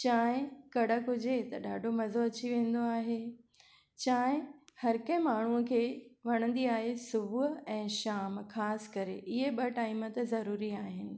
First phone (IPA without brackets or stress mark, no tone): t͡ɕ